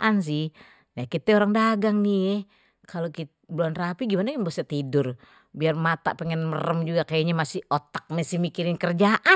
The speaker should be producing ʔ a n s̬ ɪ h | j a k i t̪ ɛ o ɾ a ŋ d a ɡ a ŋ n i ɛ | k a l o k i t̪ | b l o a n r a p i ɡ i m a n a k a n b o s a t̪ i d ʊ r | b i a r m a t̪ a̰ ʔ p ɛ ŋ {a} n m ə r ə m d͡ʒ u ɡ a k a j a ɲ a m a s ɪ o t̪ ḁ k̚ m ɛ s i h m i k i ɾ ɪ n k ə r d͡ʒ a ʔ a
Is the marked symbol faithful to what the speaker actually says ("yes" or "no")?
no